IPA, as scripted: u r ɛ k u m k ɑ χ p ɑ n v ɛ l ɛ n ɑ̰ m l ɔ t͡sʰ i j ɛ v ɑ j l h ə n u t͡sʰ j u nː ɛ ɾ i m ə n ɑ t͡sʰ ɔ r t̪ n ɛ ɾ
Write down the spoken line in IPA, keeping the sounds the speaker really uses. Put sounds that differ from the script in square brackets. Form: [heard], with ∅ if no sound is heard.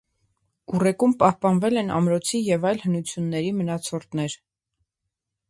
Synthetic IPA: u r ɛ k u m [p] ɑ [h] p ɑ n v ɛ l ɛ n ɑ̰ m [ɾ] ɔ t͡sʰ i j ɛ v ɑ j l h ə n u t͡sʰ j u nː ɛ ɾ i m ə n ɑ t͡sʰ ɔ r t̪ n ɛ ɾ

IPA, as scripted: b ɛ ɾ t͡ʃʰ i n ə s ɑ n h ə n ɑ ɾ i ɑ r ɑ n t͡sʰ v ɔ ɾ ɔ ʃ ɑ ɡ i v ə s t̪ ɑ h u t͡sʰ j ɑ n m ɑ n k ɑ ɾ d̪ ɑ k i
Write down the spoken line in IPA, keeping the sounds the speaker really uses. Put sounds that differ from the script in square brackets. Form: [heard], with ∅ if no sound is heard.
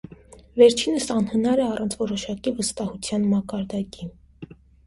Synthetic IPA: [v] ɛ ɾ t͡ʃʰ i n ə s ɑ n h ə n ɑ ɾ [ɛ] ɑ r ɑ n t͡sʰ v ɔ ɾ ɔ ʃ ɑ [k] i v ə s t̪ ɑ h u t͡sʰ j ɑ n m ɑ [∅] k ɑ ɾ d̪ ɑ k i

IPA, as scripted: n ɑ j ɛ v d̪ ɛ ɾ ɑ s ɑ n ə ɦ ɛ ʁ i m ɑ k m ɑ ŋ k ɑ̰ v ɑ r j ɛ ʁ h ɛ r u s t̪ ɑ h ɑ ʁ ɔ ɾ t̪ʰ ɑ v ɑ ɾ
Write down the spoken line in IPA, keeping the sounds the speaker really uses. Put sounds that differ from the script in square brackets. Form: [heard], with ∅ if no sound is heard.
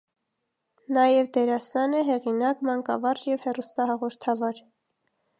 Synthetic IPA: n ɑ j ɛ v d̪ ɛ ɾ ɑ s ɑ n ə ɦ ɛ ʁ i [n] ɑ k m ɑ ŋ k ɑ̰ v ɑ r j ɛ [v] h ɛ r u s t̪ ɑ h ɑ ʁ ɔ ɾ t̪ʰ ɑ v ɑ ɾ

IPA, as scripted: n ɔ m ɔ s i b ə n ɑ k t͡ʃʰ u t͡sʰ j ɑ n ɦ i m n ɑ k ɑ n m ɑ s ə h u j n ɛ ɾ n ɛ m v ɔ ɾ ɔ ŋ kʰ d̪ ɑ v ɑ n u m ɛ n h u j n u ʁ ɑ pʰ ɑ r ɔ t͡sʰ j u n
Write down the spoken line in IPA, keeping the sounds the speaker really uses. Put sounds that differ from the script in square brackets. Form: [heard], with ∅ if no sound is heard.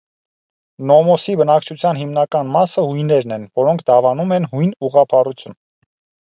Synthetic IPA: n ɔ m ɔ s i b ə n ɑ k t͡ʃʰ u t͡sʰ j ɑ n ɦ i m n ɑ k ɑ n m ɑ s ə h u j n ɛ ɾ n ɛ [n] v ɔ ɾ ɔ ŋ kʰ d̪ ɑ v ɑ n u m ɛ n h u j n u ʁ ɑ pʰ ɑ r [u] t͡sʰ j u n

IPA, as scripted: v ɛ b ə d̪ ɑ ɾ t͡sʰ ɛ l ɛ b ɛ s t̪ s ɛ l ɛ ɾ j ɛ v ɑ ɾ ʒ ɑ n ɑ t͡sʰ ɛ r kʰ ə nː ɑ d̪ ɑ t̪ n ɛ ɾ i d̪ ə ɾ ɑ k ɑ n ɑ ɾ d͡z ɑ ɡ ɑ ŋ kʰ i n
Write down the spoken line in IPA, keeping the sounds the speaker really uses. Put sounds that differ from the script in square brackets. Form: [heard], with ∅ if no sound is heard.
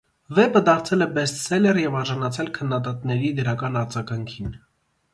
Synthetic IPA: v ɛ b ə d̪ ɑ ɾ t͡sʰ ɛ l ɛ b ɛ s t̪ s ɛ l ɛ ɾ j ɛ v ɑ ɾ ʒ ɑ n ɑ t͡sʰ ɛ [l] kʰ ə nː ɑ d̪ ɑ t̪ n ɛ ɾ i d̪ ə ɾ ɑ k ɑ n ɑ ɾ d͡z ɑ ɡ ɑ ŋ kʰ i n

